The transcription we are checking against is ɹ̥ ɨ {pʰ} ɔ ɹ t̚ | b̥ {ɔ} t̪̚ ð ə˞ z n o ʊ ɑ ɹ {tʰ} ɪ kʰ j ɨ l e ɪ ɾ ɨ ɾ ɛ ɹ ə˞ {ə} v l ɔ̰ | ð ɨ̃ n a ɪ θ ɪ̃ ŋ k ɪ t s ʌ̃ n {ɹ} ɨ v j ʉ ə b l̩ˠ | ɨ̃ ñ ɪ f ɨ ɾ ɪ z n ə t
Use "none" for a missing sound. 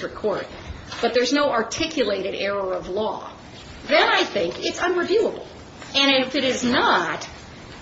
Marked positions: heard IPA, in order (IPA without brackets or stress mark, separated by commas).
kʰ, ʌ, tʰ, ʌ, ɹ